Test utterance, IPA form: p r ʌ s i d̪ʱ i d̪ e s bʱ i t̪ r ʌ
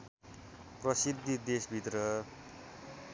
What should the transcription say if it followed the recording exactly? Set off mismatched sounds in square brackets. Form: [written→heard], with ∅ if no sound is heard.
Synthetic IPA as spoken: p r ʌ s i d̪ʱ i d̪ e s bʱ i t̪ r ʌ